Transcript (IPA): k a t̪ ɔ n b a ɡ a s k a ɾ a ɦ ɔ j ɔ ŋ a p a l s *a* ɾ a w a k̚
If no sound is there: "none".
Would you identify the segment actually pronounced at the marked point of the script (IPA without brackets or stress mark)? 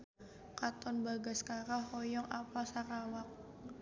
a